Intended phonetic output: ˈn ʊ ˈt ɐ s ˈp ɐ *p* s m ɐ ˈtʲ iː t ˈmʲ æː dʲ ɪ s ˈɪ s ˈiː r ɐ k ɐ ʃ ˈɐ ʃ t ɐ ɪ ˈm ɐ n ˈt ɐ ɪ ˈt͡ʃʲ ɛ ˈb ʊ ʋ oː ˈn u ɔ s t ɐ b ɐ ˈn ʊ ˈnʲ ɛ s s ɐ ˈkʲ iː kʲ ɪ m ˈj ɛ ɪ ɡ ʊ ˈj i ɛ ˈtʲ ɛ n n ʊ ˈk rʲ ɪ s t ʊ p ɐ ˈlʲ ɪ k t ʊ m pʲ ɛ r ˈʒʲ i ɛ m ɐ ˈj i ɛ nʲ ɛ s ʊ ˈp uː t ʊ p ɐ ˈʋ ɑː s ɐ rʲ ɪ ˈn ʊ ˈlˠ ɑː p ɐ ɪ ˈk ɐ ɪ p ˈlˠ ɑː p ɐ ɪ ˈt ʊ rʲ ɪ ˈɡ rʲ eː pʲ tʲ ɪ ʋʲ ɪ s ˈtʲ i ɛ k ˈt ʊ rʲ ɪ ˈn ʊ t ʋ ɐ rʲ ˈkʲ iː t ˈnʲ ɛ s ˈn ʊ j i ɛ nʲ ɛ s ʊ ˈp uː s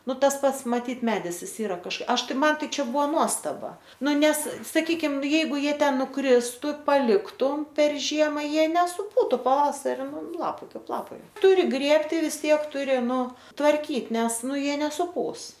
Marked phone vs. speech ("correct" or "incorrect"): incorrect